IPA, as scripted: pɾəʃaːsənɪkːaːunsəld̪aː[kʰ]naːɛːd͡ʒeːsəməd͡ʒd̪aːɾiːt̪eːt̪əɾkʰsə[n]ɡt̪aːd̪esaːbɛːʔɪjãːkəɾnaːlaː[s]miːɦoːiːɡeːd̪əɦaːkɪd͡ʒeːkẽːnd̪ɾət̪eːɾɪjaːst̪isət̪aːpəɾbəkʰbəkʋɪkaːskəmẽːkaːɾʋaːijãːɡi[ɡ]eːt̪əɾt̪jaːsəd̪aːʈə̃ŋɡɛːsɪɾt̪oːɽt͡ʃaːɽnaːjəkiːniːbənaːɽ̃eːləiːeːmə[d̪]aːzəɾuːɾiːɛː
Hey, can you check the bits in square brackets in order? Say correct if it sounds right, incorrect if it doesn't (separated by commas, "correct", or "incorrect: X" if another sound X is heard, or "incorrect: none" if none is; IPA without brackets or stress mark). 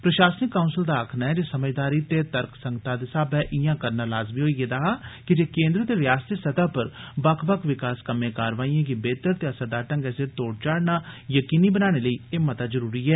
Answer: correct, incorrect: ŋ, incorrect: z, incorrect: b, incorrect: t̪